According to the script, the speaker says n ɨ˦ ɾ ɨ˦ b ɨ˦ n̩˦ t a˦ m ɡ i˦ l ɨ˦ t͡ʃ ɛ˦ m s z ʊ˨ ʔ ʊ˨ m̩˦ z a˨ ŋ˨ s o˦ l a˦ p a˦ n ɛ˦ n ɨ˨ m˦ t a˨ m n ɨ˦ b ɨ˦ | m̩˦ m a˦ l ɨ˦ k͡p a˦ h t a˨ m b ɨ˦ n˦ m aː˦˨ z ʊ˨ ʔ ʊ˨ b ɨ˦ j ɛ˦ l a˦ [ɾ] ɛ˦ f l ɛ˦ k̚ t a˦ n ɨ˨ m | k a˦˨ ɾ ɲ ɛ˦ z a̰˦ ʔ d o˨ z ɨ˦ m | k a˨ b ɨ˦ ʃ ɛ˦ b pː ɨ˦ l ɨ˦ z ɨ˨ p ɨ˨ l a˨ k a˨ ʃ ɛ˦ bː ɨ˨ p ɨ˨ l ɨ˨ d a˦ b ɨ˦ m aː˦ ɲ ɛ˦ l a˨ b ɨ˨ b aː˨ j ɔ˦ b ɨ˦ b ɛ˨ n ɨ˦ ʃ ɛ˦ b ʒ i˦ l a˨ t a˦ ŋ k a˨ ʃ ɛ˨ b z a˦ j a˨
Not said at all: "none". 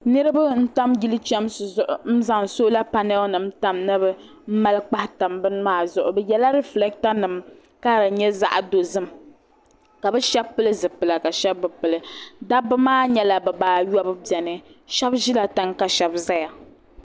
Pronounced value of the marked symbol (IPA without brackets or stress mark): ɾ